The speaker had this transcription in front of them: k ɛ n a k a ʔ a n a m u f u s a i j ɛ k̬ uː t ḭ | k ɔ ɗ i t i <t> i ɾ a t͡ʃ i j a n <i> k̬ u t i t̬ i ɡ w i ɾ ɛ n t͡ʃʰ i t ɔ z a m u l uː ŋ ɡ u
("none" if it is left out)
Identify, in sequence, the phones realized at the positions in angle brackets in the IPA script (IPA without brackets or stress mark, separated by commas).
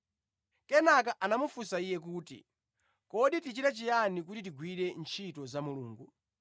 t͡ʃ, i